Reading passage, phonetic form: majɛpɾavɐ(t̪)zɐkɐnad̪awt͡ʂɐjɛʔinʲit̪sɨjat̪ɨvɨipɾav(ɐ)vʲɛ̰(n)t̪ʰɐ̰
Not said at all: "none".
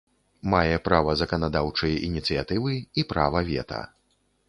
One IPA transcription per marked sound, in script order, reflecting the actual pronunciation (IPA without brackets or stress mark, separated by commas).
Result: none, ɐ, none